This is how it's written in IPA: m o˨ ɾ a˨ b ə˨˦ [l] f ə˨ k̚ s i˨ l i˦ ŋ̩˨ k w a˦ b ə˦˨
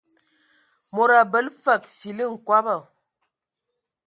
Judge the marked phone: correct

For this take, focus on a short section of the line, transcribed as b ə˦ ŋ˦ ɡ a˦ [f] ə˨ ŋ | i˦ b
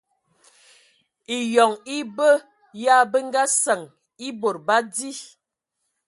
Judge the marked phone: incorrect: s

